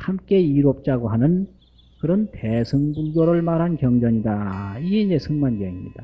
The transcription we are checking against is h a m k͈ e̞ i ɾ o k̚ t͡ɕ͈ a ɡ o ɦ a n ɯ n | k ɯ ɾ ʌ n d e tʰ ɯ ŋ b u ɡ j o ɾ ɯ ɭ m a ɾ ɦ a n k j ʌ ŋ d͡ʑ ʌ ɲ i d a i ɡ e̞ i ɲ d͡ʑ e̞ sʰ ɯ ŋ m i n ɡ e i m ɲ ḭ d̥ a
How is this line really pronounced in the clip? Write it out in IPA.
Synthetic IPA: h a m k͈ e̞ i ɾ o p̚ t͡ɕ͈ a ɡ o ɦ a n ɯ n | k ɯ ɾ ʌ n t e sʰ ɯ ŋ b u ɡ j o ɾ ɯ ɭ m a ɾ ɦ a n k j ʌ ŋ d͡ʑ ʌ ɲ i d a i ɡ e̞ i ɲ d͡ʑ e̞ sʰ ɯ ŋ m a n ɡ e i m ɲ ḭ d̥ a

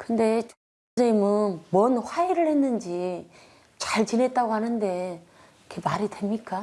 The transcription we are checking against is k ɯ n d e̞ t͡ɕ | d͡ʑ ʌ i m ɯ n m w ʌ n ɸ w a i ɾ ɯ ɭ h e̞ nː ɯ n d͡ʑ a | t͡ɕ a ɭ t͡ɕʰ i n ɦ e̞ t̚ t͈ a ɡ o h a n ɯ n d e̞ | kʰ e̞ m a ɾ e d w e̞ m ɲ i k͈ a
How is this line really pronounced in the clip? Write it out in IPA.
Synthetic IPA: k ɯ n d e̞ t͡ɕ | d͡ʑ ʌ i m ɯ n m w ʌ n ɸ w a i ɾ ɯ ɭ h e̞ nː ɯ n d͡ʑ i | t͡ɕ a ɭ t͡ɕ i n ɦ e̞ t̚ t͈ a ɡ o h a n ɯ n d e̞ | kʰ e̞ m a ɾ i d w e̞ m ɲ i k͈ a

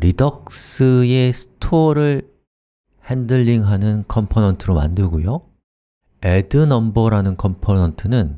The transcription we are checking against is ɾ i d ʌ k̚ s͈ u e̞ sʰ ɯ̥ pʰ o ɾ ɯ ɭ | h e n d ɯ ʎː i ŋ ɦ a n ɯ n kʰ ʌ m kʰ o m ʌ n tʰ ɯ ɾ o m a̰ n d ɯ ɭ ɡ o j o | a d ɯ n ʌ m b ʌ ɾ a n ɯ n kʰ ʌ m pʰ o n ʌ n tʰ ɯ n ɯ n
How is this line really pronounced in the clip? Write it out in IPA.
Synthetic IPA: ɾ i d ʌ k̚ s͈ ɯ e̞ sʰ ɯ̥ tʰ o ɾ ɯ ɭ | h e n d ɯ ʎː i ŋ ɦ a n ɯ n kʰ ʌ m pʰ o n ʌ n tʰ ɯ ɾ o m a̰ n d ɯ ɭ ɡ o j o | e d ɯ n ʌ m b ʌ ɾ a n ɯ n kʰ ʌ m pʰ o n ʌ n tʰ ɯ n ɯ n

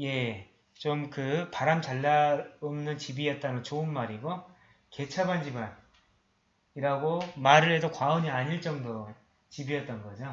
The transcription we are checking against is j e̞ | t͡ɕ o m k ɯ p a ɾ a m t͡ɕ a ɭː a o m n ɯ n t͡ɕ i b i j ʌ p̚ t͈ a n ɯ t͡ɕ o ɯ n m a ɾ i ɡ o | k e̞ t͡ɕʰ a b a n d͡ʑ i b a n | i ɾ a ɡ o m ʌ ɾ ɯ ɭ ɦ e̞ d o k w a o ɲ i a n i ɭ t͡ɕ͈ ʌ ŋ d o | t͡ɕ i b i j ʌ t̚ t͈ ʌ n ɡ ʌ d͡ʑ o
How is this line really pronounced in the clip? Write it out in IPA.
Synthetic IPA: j e̞ | t͡ɕ o m k ɯ p a ɾ a m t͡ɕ a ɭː a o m n ɯ n t͡ɕ i b i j ʌ t̚ t͈ a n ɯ t͡ɕ o ɯ n m a ɾ i ɡ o | k e̞ t͡ɕʰ a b a n d͡ʑ i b a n | i ɾ a ɡ o m a ɾ ɯ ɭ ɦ e̞ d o k w a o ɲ i a ɲ i ɭ t͡ɕ͈ ʌ ŋ d o | t͡ɕ i b i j ʌ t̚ t͈ ʌ n ɡ ʌ d͡ʑ o

